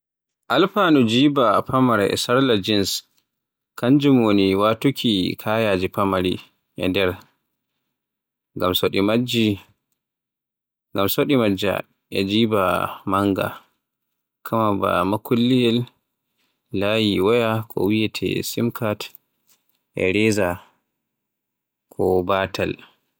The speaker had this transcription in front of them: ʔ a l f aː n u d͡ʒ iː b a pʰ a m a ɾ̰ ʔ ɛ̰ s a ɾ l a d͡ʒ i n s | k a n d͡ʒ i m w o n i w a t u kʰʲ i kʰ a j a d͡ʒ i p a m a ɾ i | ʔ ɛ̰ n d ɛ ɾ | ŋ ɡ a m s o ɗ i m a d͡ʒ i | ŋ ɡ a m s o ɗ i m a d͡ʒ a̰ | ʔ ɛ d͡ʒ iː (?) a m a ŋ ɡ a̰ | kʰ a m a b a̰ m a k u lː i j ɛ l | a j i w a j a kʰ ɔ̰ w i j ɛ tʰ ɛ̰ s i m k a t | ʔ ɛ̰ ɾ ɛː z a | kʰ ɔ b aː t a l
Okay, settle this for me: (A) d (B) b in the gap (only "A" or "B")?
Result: B